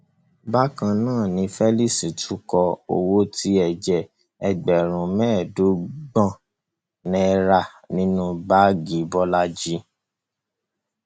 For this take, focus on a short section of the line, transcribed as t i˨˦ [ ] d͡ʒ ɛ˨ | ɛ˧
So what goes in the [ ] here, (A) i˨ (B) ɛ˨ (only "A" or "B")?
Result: B